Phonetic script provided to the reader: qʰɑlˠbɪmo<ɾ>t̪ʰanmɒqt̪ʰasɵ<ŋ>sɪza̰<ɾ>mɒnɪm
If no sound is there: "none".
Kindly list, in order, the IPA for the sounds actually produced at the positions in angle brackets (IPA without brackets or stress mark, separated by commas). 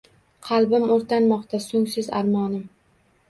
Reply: ɾ, ŋ, ɾ